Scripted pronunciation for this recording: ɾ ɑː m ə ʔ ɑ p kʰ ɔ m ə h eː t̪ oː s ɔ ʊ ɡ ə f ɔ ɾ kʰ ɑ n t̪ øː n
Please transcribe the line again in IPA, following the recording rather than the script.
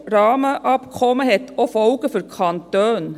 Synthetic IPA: ɾ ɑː m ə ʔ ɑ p kʰ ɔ m ə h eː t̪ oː f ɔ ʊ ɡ ə f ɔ ɾ kʰ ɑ n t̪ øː n